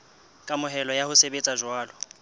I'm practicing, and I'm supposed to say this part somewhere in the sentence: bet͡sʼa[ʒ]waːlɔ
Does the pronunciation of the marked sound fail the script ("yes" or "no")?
no